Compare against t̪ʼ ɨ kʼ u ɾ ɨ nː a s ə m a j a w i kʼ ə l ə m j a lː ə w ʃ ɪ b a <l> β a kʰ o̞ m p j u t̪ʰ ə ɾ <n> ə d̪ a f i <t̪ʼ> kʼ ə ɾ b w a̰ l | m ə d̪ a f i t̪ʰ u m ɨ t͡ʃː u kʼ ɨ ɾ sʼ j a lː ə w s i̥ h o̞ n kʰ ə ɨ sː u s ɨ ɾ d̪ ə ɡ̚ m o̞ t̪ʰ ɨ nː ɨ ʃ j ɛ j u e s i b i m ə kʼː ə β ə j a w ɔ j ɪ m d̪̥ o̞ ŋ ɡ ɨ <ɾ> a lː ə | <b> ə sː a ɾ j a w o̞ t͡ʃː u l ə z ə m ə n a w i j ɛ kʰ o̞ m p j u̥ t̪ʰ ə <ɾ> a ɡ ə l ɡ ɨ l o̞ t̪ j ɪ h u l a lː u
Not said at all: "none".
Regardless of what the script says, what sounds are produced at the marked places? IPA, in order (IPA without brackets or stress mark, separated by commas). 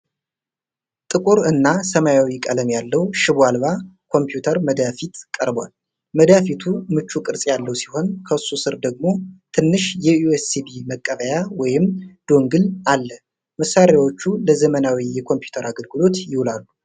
l, m, t̪, l, m, ɾ